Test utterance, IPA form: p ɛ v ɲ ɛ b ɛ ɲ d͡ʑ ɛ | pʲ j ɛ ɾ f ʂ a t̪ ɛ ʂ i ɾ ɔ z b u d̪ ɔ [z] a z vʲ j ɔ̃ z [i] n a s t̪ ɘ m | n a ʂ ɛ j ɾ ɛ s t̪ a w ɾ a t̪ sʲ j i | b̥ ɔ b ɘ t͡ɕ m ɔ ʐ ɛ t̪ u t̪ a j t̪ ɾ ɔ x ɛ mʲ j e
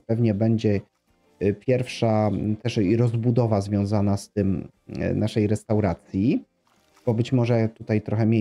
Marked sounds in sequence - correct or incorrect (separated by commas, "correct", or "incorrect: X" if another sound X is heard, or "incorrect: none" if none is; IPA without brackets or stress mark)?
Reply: incorrect: v, incorrect: a